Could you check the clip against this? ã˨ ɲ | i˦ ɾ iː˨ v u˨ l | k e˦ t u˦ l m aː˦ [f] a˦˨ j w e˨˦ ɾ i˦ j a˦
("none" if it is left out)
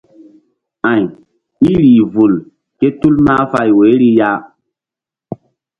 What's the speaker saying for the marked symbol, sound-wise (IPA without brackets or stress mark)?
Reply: f